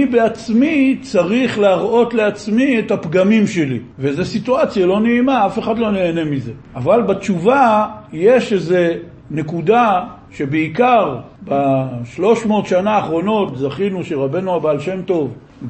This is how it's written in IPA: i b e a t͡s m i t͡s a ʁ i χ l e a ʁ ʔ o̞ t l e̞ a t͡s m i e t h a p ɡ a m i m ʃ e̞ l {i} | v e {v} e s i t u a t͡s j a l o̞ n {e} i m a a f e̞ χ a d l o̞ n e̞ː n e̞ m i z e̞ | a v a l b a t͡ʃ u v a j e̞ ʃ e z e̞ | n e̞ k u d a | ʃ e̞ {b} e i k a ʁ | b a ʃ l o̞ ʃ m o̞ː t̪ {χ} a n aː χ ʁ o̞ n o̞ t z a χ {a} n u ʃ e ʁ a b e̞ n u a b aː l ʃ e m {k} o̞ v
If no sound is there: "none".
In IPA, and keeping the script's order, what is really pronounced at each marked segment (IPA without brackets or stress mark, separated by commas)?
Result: i, z, e, b, ʃ, i, t